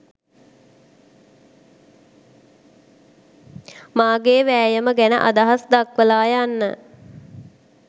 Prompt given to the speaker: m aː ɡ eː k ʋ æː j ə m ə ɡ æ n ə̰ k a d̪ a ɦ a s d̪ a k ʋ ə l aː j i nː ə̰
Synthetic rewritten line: m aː ɡ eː ʋ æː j ə m ə ɡ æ n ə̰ ʔ a d̪ a ɦ a s d̪ a k ʋ ə l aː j a nː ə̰